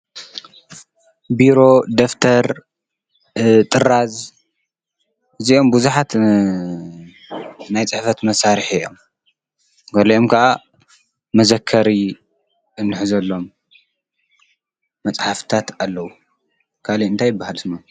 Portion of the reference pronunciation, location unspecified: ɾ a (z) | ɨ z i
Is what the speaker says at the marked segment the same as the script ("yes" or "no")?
yes